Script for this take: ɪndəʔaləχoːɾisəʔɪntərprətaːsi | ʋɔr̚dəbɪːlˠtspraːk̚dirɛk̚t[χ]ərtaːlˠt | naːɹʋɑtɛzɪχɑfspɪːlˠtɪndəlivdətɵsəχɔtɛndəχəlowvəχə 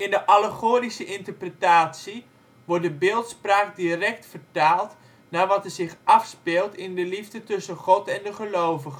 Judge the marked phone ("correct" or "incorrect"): incorrect